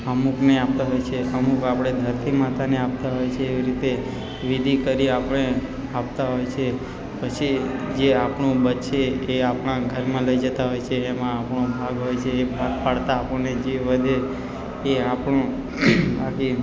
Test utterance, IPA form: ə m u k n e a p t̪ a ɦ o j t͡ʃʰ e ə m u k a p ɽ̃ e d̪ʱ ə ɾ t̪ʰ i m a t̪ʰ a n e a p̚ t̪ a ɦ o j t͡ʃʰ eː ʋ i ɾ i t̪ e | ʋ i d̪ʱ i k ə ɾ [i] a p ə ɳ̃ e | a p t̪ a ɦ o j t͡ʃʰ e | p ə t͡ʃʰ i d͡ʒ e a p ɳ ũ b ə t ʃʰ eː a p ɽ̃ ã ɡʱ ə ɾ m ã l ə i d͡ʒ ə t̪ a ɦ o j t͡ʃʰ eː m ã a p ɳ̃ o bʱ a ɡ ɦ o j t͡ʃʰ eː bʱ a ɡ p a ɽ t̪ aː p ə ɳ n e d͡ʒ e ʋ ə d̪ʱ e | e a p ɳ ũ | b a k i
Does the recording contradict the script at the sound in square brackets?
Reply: no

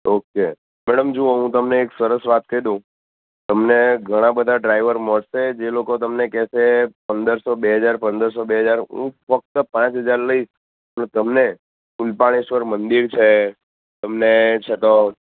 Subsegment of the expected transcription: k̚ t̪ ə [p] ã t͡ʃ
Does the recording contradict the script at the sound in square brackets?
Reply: no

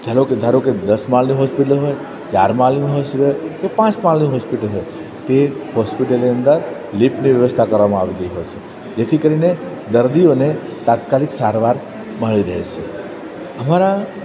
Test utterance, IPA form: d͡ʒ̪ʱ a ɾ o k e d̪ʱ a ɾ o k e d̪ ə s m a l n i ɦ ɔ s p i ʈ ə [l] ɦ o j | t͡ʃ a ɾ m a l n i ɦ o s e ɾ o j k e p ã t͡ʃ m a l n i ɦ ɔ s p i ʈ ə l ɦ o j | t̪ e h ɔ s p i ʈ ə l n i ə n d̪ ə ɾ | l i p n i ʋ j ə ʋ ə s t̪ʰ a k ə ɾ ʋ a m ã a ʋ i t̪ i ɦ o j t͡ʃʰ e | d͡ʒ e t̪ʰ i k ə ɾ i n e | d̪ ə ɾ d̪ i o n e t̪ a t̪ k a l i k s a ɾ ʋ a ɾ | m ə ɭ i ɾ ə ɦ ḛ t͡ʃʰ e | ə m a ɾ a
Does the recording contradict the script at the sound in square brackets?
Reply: no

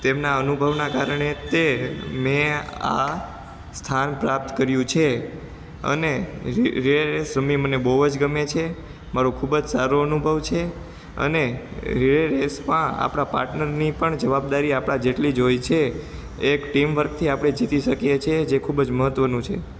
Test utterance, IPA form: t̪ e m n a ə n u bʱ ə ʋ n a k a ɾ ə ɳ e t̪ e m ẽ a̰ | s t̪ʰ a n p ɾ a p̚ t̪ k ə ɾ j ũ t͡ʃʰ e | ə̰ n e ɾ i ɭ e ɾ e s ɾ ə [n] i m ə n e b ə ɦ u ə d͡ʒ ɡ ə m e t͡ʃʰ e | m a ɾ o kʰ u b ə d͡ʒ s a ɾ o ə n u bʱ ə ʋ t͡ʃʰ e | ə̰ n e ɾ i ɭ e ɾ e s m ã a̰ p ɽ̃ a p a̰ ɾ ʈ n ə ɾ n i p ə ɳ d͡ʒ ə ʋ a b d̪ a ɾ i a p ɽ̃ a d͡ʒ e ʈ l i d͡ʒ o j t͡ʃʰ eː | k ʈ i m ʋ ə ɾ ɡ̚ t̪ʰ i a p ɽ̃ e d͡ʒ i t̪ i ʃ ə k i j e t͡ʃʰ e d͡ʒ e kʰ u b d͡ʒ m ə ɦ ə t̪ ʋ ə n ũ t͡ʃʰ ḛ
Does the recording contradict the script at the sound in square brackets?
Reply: yes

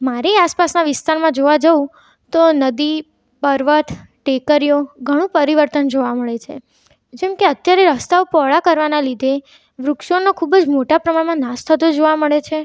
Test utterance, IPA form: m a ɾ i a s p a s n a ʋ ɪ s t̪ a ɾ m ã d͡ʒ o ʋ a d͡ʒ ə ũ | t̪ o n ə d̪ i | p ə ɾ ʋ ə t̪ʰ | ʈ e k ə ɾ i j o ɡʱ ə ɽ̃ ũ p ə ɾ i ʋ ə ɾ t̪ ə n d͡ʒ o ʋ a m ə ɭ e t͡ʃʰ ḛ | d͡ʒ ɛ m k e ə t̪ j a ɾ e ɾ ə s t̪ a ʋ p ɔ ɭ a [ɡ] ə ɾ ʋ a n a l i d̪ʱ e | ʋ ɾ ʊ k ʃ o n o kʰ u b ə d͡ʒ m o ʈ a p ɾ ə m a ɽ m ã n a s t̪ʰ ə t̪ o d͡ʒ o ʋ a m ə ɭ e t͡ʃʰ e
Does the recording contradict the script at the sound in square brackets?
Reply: yes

